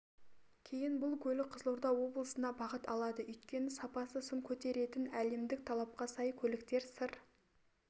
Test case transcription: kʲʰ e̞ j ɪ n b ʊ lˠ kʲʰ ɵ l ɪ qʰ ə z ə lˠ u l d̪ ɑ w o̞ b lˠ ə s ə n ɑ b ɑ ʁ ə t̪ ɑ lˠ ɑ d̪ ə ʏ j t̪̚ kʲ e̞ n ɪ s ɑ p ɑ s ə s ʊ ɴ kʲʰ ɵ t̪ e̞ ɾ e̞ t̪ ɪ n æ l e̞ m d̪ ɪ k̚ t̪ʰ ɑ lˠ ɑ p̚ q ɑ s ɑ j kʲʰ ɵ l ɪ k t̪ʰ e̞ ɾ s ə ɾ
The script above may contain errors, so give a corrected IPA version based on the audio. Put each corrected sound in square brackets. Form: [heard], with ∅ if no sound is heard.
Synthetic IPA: kʲʰ e̞ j ɪ n b ʊ lˠ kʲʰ ɵ l ɪ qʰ ə z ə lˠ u [ɾ] d̪ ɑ w o̞ b lˠ ə s ə n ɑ b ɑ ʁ ə t̪ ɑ lˠ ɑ d̪ ə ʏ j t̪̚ kʲ e̞ n ɪ s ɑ p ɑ s ə s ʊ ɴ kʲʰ ɵ t̪ e̞ ɾ e̞ t̪ ɪ n æ l e̞ m d̪ ɪ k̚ t̪ʰ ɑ lˠ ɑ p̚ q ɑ s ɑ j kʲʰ ɵ l ɪ k [t̪] e̞ ɾ s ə ɾ